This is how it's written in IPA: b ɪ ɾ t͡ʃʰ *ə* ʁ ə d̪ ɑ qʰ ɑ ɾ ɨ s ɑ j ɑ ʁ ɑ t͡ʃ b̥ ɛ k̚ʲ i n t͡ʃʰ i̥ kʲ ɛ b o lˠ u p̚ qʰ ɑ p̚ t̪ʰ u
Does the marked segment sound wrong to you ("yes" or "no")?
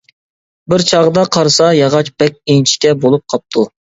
yes